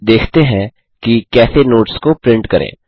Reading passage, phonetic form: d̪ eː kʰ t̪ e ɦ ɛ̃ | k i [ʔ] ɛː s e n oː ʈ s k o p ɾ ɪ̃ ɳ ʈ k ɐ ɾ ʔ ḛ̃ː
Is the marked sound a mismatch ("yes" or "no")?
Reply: yes